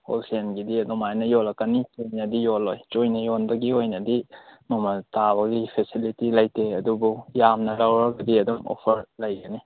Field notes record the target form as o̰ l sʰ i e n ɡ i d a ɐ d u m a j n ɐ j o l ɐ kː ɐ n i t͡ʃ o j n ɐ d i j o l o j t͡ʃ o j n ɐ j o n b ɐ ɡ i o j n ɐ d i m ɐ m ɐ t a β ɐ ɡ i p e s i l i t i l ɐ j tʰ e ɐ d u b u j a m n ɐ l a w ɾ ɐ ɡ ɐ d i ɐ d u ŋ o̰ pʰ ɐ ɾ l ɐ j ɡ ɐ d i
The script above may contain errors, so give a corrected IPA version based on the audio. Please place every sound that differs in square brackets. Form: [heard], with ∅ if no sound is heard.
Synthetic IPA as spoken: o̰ l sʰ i e n ɡ i d [i] ɐ d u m a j n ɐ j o l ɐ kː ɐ n i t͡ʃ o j n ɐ d i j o l o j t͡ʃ o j n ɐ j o n b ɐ ɡ i o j n ɐ d i m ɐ m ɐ t a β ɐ ɡ i [pʰ] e s i l i t i l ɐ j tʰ e ɐ d u b u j a m n ɐ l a w ɾ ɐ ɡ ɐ d i ɐ d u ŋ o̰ pʰ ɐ ɾ l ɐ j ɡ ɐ [n] i